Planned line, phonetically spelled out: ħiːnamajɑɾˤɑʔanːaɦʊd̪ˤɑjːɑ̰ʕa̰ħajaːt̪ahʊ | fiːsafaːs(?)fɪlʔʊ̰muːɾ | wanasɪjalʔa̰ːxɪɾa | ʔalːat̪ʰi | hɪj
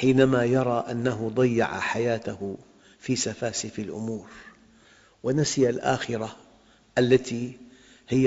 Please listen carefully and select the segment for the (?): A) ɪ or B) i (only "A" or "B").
A